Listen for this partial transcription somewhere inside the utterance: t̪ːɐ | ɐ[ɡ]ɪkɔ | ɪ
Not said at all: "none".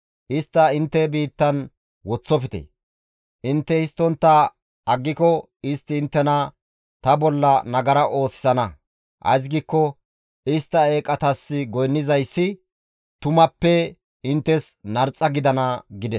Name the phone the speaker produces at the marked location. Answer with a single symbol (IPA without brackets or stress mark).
ɡː